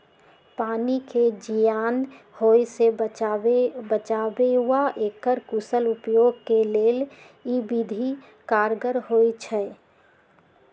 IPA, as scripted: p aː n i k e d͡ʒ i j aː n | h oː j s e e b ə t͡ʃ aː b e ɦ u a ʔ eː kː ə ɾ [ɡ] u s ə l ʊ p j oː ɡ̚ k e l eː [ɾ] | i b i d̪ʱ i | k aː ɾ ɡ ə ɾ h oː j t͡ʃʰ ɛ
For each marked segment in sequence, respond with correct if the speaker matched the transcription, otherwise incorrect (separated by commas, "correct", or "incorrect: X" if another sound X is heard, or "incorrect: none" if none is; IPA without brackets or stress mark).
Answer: incorrect: k, incorrect: l